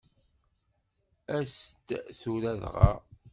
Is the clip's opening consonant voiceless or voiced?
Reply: voiceless